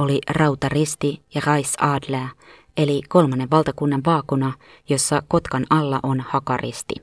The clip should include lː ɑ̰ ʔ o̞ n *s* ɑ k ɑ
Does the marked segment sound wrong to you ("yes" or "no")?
yes